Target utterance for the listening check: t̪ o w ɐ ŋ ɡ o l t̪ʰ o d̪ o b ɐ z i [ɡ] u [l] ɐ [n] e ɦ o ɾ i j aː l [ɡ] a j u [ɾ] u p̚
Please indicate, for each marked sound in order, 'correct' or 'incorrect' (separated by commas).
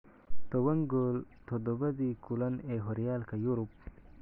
incorrect, correct, correct, incorrect, correct